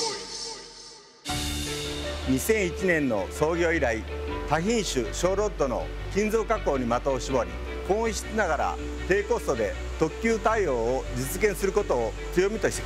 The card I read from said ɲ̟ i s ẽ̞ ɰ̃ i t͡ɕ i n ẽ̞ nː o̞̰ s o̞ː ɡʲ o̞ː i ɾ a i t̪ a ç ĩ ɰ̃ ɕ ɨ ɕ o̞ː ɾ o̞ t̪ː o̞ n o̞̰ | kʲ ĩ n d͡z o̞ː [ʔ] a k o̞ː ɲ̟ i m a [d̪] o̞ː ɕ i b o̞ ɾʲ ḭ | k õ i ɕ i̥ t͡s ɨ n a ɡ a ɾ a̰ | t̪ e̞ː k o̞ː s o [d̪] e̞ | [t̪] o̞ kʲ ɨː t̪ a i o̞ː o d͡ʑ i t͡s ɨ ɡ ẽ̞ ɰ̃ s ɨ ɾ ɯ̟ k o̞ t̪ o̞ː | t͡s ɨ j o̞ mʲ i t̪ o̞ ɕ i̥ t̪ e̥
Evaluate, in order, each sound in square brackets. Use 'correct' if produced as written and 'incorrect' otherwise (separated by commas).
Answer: incorrect, incorrect, correct, correct